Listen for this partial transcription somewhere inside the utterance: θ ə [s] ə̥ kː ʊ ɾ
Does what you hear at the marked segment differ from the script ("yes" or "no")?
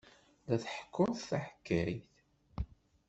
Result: yes